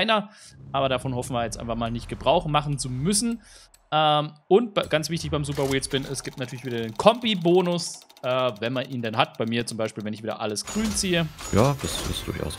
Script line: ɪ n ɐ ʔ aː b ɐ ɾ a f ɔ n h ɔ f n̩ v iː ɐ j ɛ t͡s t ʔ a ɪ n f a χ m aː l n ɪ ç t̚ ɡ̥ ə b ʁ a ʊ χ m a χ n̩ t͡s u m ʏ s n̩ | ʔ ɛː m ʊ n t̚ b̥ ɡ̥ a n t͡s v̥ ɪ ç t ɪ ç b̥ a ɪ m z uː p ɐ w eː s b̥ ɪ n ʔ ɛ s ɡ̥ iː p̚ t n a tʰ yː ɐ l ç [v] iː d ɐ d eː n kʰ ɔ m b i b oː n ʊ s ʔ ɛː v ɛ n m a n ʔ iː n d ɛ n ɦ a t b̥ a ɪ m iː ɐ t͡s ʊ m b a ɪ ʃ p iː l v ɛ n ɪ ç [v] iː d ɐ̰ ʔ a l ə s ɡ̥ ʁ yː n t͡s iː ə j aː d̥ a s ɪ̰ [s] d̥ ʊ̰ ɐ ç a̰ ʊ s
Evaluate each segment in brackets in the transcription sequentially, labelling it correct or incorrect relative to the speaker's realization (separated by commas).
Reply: correct, correct, correct